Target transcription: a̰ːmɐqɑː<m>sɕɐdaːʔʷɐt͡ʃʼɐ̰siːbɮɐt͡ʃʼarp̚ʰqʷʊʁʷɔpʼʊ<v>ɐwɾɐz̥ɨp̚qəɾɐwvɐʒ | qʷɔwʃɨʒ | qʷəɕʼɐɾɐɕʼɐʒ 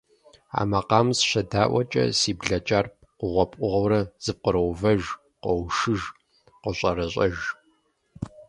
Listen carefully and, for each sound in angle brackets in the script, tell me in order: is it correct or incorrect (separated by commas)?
correct, incorrect